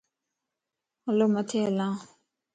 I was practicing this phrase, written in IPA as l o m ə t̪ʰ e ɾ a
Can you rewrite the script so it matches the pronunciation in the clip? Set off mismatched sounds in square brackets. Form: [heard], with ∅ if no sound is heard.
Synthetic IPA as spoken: l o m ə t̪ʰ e [l] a